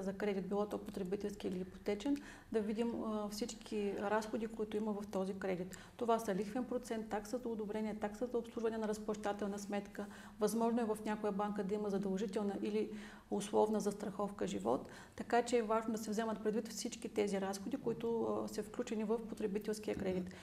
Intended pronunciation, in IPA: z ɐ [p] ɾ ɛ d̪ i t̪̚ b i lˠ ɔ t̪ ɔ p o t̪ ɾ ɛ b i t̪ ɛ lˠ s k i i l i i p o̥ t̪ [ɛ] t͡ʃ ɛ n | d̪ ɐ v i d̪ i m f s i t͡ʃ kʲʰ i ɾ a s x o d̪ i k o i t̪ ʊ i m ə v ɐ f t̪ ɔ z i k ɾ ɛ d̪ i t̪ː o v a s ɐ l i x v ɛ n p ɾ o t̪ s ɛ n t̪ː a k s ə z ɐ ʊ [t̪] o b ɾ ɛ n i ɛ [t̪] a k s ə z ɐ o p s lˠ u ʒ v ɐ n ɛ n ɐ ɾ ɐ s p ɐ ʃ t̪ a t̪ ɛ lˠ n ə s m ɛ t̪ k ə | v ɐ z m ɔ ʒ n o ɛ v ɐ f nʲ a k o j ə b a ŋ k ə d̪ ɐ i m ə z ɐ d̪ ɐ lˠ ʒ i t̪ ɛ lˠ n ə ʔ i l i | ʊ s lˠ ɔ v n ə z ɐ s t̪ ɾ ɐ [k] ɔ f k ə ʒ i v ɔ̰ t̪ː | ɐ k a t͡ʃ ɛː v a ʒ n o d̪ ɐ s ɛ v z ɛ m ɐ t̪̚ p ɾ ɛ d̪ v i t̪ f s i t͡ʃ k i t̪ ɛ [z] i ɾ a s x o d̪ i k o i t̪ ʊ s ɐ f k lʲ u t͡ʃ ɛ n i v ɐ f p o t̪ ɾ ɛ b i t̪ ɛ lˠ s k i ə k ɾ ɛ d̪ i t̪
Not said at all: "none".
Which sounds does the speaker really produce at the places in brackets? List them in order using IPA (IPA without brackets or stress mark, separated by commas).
k, ɛ, d̪, t̪, x, z